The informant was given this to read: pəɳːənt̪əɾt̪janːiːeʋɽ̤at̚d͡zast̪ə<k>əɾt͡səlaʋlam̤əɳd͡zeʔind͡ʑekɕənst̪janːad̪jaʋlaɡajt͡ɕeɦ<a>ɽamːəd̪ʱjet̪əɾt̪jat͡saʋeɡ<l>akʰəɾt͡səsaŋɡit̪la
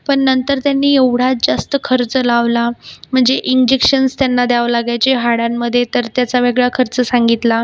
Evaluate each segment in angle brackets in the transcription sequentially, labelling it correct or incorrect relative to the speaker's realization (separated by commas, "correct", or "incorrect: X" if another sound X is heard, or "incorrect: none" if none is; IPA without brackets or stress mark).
incorrect: kʰ, correct, incorrect: ɭ